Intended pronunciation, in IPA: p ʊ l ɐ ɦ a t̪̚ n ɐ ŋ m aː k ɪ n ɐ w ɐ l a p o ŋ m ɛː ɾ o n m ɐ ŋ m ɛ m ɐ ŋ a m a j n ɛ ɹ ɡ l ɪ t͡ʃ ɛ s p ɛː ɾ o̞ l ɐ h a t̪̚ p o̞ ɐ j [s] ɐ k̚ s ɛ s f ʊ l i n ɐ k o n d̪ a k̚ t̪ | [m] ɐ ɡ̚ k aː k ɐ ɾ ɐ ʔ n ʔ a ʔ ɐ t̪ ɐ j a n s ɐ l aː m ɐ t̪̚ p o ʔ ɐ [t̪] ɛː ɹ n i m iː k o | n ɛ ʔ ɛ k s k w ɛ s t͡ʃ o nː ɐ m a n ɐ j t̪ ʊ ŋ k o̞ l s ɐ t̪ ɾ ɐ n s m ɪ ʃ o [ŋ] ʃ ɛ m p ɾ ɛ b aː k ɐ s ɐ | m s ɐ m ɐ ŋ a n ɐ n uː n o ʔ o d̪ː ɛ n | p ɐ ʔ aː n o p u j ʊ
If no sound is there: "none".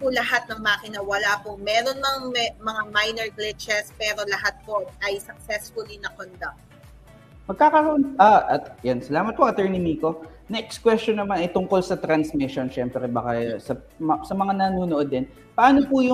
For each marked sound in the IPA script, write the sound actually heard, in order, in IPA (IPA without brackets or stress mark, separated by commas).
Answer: s, m, t̪, n